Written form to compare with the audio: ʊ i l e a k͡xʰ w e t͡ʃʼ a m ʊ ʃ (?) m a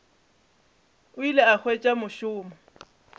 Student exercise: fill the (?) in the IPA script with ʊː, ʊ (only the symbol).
ʊː